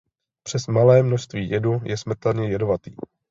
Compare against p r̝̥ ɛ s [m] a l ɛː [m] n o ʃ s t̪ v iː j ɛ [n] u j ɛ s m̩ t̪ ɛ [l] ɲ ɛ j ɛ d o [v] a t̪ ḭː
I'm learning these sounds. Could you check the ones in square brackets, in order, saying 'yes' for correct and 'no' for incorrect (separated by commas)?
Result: yes, yes, no, yes, yes